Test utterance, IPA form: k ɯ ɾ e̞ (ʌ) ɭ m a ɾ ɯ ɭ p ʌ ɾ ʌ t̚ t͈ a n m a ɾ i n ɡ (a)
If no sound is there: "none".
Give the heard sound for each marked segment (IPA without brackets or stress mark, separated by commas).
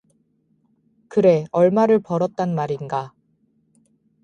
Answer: ʌ, a